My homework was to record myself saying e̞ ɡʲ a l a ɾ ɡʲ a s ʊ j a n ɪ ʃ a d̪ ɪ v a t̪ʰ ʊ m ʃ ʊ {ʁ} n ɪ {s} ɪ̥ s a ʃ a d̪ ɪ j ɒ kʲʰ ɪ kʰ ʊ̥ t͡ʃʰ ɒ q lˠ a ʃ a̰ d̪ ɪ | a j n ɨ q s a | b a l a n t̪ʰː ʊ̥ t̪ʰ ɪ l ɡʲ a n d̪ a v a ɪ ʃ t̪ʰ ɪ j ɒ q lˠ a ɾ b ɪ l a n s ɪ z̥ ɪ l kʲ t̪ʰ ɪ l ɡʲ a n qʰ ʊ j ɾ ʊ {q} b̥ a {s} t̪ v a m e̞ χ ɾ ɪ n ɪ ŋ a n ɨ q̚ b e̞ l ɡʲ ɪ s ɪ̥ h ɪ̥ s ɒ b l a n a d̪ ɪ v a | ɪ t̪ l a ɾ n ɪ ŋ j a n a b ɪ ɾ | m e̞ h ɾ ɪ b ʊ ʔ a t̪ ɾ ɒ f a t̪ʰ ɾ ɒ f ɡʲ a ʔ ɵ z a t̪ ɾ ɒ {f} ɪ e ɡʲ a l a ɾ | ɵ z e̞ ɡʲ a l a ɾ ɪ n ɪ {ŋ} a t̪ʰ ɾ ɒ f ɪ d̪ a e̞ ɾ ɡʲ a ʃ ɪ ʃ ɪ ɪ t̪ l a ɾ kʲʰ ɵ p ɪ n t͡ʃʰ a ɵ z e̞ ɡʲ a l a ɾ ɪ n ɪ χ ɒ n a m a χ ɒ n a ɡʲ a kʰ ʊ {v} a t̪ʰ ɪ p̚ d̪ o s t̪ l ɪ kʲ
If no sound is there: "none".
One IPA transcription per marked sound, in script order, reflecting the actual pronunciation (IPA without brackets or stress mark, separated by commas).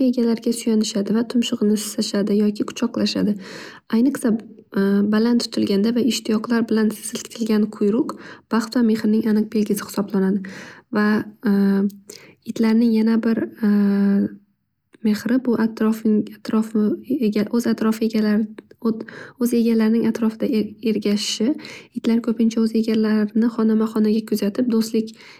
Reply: ʁ, s, q, χ, f, ŋ, z